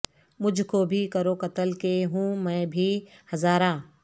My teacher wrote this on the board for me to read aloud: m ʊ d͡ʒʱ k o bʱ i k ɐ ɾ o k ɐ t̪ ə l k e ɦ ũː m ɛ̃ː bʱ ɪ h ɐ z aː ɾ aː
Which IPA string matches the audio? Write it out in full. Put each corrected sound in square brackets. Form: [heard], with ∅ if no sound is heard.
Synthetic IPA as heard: m ʊ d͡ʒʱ k o bʱ i k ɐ ɾ o k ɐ t̪ ə l k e ɦ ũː m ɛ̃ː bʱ [i] h ɐ z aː ɾ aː